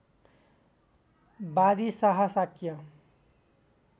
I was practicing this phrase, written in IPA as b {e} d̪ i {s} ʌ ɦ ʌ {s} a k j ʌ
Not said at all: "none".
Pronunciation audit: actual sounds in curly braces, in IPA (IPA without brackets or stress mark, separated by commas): a, s, s